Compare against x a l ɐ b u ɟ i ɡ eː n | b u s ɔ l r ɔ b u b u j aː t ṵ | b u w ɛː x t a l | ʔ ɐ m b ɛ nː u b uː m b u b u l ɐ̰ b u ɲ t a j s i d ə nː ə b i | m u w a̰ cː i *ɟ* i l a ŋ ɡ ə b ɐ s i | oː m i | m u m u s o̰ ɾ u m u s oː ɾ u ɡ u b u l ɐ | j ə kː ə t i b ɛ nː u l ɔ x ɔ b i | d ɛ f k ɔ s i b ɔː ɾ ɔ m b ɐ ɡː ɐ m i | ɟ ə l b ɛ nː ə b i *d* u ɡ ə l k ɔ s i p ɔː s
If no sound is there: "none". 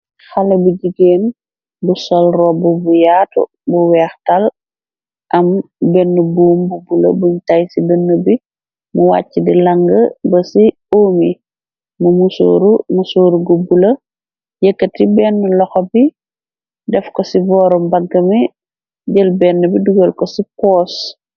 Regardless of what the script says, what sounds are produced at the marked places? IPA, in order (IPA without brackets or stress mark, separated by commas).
d, d